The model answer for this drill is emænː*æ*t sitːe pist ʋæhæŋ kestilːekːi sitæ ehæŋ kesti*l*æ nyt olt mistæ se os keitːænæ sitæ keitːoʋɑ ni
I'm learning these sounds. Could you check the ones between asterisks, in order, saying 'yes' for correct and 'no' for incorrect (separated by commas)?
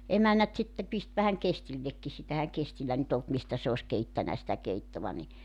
yes, no